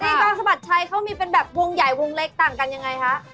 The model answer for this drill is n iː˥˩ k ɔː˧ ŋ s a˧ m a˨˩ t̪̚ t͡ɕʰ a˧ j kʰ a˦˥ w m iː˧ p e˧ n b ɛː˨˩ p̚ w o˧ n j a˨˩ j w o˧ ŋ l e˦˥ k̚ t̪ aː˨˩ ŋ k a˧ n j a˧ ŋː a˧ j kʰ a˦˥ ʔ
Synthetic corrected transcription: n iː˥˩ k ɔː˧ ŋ s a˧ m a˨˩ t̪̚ t͡ɕʰ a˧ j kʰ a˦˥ w m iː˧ p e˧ n b ɛː˨˩ p̚ w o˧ ŋ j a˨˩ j w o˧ ŋ l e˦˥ k̚ t̪ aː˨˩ ŋ k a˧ n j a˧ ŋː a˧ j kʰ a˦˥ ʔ